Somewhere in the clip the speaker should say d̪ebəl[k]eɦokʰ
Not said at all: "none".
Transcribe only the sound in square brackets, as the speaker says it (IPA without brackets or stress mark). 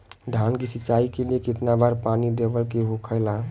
k